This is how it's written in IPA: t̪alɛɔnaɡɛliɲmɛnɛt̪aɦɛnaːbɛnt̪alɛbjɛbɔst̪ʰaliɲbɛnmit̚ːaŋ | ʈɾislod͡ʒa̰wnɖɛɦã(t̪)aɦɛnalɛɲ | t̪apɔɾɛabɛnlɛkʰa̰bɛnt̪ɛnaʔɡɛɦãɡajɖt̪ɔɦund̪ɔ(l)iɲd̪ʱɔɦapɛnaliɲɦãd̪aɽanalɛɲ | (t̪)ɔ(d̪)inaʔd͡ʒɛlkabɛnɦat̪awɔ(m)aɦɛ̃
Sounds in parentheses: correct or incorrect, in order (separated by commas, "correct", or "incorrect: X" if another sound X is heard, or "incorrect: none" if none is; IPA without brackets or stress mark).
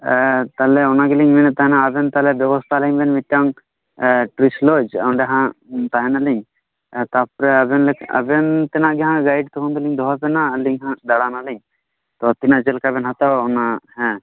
correct, correct, correct, incorrect: t̪, incorrect: n